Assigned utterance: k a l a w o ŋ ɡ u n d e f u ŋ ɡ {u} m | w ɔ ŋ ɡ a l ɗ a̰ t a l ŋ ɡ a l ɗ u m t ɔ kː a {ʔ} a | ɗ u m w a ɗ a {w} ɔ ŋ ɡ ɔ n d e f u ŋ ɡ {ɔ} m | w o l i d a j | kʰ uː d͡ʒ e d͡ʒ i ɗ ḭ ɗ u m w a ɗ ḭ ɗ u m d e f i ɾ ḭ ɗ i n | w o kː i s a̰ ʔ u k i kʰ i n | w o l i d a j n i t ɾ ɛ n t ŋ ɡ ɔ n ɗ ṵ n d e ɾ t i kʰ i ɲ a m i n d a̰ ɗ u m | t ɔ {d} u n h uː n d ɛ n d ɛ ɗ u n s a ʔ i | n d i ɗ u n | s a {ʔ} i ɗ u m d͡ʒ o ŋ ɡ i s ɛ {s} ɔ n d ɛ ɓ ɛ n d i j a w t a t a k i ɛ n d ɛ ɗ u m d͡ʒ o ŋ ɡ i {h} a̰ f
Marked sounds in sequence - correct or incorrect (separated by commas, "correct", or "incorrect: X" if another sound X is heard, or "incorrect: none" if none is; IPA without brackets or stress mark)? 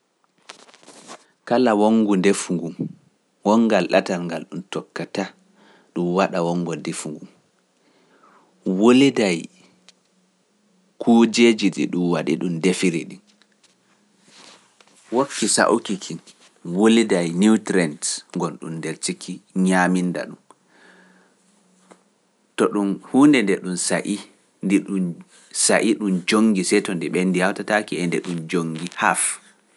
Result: correct, incorrect: t, correct, incorrect: u, incorrect: ɗ, correct, incorrect: t, correct